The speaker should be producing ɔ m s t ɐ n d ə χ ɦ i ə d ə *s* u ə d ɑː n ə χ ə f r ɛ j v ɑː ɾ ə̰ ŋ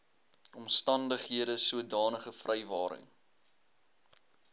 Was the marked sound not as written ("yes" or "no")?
no